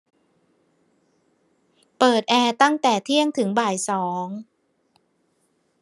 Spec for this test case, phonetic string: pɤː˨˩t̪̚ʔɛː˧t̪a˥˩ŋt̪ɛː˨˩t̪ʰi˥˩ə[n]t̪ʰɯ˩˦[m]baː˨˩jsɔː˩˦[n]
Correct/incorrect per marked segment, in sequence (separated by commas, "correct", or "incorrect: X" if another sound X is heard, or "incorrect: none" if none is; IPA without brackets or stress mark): incorrect: ŋ, incorrect: ŋ, incorrect: ŋ